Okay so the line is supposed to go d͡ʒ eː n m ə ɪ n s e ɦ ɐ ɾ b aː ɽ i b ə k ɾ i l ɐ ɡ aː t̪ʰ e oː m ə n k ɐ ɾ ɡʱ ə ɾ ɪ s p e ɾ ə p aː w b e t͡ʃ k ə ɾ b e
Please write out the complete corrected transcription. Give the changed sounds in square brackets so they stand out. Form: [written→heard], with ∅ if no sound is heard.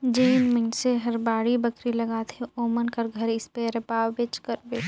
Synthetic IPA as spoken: d͡ʒ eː n m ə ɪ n s e ɦ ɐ ɾ b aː ɽ i b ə k ɾ i l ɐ ɡ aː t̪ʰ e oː m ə n k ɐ ɾ ɡʱ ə ɾ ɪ s p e ɾ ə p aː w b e t͡ʃ k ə ɾ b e

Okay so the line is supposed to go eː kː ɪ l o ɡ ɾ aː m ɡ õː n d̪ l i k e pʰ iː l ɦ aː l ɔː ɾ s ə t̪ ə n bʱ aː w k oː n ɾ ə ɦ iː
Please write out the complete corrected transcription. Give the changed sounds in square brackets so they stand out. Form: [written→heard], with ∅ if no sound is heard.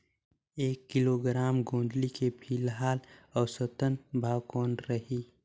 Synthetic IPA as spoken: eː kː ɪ l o ɡ ɾ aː m ɡ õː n d̪ l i k e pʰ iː l ɦ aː l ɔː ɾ s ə t̪ ə n bʱ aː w k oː n ɾ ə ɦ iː

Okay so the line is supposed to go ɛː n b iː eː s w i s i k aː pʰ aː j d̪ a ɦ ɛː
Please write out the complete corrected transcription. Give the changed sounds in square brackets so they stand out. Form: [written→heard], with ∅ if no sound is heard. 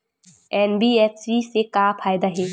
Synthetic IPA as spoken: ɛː n b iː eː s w i s [i→e] k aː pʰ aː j d̪ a ɦ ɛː

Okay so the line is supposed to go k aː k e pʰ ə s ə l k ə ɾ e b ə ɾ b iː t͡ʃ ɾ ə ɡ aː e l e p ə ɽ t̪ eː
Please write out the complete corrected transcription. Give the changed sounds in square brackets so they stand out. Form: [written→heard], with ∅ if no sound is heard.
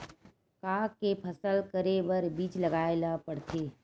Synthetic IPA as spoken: k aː k e pʰ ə s ə l k ə ɾ e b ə ɾ b iː t͡ʃ [ɾ→l] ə ɡ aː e l [e→a] p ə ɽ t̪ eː

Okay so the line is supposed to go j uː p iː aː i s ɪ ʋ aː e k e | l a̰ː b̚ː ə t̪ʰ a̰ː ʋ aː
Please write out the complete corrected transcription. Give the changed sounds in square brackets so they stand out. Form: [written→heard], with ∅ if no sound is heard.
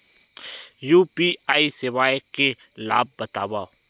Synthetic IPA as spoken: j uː p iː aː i s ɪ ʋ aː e k e | l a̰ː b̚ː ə [t̪ʰ→t̪] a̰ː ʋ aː

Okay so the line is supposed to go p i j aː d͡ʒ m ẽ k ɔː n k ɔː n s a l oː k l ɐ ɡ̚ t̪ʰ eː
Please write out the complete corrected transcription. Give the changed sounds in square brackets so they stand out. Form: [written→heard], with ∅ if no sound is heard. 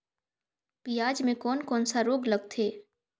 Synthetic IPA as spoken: p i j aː d͡ʒ m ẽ k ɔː n k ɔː n s a [l→ɾ] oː [k→ɡ] l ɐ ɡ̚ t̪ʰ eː

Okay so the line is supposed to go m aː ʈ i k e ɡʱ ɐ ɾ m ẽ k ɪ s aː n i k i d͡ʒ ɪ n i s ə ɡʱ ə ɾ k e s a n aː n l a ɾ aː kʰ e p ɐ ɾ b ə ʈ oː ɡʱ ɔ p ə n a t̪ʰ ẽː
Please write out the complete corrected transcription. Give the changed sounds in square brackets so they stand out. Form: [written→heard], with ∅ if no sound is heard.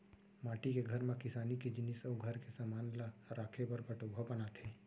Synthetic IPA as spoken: m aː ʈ i k e ɡʱ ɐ ɾ m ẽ k ɪ s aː n i k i d͡ʒ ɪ n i s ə ɡʱ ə ɾ k e s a [n→m] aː n l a ɾ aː kʰ e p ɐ ɾ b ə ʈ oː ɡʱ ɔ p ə n a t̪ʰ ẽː

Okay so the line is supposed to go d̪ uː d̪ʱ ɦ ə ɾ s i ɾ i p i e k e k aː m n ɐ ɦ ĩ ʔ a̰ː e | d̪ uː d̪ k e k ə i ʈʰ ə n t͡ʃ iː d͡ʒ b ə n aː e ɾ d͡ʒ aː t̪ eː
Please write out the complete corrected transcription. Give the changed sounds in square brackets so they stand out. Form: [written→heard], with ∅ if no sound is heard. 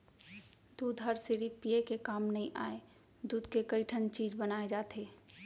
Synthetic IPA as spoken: d̪ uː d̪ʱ ɦ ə ɾ s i ɾ i p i e k e k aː m n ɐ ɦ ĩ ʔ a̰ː e | d̪ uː d̪ k e k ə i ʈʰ ə n t͡ʃ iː d͡ʒ b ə n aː e [ɾ→∅] d͡ʒ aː t̪ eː

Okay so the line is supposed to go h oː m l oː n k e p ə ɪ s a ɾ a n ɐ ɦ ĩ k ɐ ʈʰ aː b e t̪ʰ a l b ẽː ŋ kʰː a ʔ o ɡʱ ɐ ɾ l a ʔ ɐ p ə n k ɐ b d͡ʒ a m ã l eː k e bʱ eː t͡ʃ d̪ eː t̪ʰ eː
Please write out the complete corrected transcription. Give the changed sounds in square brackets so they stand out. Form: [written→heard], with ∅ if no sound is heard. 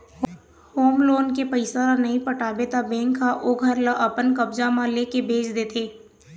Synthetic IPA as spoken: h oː m l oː n k e p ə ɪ s a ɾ a n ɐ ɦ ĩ [k→p] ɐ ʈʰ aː b e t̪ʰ a [l→∅] b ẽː ŋ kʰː a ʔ o ɡʱ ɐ ɾ l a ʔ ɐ p ə n k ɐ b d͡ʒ a m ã l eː k e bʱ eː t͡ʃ d̪ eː t̪ʰ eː

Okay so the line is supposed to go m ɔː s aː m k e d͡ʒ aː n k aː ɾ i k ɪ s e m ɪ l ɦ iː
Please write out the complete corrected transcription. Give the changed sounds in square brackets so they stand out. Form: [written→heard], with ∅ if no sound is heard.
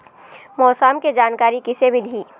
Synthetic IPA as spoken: m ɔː s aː m k e d͡ʒ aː n k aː ɾ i k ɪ s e m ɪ l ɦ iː

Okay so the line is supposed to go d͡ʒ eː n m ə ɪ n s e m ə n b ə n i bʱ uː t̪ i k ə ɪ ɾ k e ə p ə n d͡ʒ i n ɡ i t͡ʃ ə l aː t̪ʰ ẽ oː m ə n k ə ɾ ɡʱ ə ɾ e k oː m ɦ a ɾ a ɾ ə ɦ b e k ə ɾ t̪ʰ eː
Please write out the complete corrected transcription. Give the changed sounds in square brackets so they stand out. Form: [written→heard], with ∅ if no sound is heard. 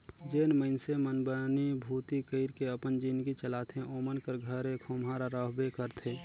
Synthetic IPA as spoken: d͡ʒ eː n m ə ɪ n s e m ə n b ə n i bʱ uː t̪ i k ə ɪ ɾ k e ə p ə n d͡ʒ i n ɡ i t͡ʃ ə l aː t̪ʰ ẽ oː m ə n k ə ɾ ɡʱ ə ɾ e [k→kʰ] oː m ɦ a ɾ a ɾ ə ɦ b e k ə ɾ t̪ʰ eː

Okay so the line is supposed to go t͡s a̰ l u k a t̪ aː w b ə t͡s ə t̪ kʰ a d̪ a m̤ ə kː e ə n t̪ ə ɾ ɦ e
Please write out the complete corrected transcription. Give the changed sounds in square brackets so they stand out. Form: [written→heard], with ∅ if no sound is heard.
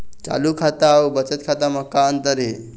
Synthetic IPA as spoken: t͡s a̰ l u [k→kʰ] a t̪ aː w b ə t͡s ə t̪ kʰ a [d̪→t̪] a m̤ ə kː [e→a] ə n t̪ ə ɾ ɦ e

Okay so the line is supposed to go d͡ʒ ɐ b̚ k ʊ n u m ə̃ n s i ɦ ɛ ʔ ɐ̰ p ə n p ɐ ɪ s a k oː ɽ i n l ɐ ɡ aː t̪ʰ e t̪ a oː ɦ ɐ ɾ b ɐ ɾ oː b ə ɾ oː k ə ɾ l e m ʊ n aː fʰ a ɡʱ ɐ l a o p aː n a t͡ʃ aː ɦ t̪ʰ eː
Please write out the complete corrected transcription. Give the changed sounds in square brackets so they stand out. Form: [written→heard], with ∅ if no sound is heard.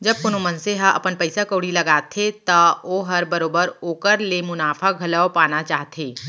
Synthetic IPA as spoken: d͡ʒ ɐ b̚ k ʊ n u m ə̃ n s [i→e] ɦ [ɛ→a] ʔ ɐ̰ p ə n p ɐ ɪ s a k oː ɽ i [n→∅] l ɐ ɡ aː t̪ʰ e t̪ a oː ɦ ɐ ɾ b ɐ ɾ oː b ə ɾ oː k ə ɾ l e m ʊ n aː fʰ a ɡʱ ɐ l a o p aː n a t͡ʃ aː ɦ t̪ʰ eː

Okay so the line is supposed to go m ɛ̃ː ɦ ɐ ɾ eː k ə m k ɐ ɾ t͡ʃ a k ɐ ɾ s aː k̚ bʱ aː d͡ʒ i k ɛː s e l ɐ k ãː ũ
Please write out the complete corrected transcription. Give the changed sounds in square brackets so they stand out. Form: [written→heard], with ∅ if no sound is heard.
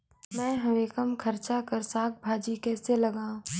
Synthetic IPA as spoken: m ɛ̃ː ɦ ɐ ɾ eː k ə m [k→kʰ] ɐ ɾ t͡ʃ a k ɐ ɾ s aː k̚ bʱ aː d͡ʒ i k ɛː s e l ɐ [k→ɡ] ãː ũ

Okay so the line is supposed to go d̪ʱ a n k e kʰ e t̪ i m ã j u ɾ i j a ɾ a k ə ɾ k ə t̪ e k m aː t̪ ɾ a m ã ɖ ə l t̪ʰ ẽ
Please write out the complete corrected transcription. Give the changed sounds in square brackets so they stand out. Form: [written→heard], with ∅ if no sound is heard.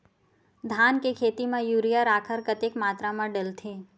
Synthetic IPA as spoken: d̪ʱ a n k e kʰ e t̪ i m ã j u ɾ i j a ɾ a [k→kʰ] ə ɾ k ə t̪ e k m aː t̪ ɾ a m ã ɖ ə l t̪ʰ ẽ

